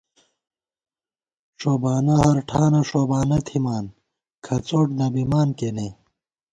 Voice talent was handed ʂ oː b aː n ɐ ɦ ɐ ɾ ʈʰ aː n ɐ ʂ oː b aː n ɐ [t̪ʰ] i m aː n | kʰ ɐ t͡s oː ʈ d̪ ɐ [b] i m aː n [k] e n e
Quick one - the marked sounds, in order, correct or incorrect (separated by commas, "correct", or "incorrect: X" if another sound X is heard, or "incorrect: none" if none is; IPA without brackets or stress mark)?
correct, correct, correct